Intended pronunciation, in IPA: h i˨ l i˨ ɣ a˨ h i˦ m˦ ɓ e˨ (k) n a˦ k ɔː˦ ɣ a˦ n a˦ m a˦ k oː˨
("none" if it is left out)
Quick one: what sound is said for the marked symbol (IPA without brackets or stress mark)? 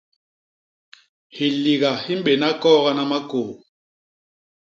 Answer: none